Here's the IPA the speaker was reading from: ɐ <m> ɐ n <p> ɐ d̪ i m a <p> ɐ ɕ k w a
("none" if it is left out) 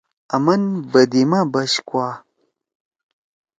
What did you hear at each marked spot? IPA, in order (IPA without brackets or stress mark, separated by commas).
m, b, b